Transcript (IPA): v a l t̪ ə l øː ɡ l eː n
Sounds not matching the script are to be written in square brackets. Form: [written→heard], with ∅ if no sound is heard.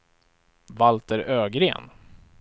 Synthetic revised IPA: v a l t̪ ə [l→ɾ] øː ɡ [l→ɾ] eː n